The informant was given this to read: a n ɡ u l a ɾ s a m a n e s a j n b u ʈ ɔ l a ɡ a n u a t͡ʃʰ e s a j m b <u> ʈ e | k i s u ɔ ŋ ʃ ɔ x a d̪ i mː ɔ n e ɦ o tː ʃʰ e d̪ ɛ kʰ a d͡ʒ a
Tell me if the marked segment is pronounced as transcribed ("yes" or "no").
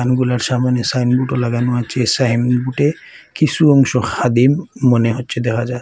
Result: yes